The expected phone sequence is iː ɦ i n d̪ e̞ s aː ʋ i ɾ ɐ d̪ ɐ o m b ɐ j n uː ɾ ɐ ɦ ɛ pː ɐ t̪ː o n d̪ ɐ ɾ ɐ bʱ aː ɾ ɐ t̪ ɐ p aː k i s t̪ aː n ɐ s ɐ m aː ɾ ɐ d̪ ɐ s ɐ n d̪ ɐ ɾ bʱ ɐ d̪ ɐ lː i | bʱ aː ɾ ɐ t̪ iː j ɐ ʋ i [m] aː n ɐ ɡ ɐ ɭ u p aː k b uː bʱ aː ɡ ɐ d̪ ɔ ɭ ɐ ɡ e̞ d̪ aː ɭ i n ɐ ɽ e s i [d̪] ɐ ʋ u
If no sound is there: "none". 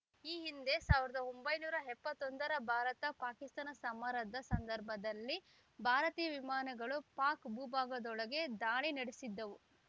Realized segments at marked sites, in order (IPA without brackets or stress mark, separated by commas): m, d̪ː